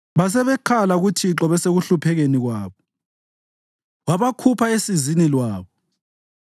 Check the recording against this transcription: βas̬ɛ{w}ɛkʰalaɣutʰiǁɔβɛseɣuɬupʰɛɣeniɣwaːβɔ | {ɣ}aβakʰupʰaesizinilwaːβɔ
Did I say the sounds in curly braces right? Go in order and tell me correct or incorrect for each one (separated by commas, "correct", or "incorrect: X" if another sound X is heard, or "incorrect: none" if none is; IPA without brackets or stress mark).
incorrect: β, incorrect: w